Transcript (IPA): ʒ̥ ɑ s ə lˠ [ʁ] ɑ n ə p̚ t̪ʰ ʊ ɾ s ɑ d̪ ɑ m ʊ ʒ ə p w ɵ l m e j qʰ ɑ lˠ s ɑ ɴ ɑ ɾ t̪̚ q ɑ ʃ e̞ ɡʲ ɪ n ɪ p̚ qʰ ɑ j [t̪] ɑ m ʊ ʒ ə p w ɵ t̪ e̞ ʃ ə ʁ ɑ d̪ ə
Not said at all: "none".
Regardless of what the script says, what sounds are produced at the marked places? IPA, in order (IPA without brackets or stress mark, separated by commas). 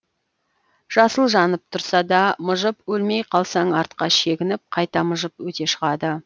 ʒ, t̪